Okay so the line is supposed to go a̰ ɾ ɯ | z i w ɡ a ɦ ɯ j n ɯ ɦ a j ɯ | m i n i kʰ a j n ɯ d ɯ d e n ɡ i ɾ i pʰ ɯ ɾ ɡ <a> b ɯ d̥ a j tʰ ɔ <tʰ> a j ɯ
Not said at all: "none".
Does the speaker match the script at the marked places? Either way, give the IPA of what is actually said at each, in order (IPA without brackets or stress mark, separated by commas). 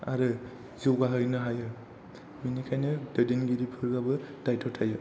a, tʰ